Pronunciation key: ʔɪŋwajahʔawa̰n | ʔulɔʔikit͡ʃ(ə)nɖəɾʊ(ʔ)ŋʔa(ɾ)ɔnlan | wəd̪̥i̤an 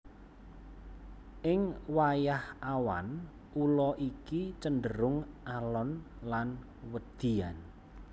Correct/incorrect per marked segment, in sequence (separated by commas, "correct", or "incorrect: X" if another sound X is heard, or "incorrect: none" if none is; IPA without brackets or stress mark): correct, incorrect: none, incorrect: l